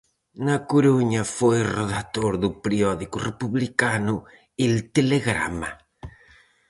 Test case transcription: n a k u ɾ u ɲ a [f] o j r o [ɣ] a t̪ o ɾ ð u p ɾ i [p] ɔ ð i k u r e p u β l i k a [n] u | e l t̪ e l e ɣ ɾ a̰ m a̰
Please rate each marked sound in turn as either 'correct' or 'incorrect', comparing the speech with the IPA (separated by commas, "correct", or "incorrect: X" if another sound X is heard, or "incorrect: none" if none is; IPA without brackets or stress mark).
correct, incorrect: ð, incorrect: none, correct